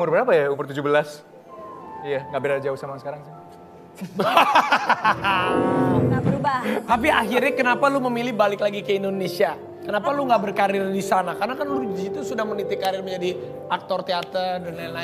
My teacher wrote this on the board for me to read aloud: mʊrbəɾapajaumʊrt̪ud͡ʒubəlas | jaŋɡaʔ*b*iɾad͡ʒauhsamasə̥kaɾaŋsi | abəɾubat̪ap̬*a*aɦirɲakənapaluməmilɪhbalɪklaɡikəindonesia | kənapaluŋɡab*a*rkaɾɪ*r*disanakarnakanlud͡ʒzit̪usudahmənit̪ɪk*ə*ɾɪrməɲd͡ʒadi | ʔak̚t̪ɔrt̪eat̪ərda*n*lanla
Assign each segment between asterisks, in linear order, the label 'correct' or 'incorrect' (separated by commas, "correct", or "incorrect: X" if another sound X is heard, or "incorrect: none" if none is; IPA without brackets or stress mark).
correct, incorrect: i, incorrect: ə, correct, incorrect: a, correct